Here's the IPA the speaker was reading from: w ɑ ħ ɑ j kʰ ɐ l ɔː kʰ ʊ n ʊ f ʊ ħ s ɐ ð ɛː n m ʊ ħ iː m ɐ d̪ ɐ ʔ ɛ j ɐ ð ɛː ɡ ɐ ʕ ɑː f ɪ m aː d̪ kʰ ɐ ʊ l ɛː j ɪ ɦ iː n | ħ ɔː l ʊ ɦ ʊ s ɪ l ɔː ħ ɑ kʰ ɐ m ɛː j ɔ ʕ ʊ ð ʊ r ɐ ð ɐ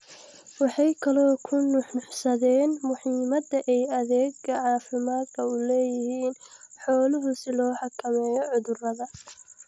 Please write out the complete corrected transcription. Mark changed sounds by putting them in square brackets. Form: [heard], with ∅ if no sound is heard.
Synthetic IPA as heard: w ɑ ħ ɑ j kʰ ɐ l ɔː kʰ ʊ n ʊ [ħ] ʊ ħ s ɐ ð ɛː n m ʊ ħ iː m ɐ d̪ ɐ ʔ ɛ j ɐ ð ɛː ɡ ɐ ʕ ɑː f ɪ m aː d̪ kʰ ɐ ʊ l ɛː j ɪ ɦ iː n | ħ ɔː l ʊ ɦ ʊ s ɪ l ɔː ħ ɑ kʰ ɐ m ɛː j ɔ ʕ ʊ ð ʊ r ɐ ð ɐ